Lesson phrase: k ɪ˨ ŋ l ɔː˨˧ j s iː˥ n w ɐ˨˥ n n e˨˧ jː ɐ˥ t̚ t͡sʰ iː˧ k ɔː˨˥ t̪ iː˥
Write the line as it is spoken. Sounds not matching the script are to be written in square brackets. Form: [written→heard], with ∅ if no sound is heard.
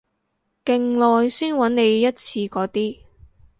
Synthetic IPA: k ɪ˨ ŋ l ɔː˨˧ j s iː˥ n w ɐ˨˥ n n e˨˧ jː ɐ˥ t̚ t͡sʰ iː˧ k ɔː˨˥ t̪ iː˥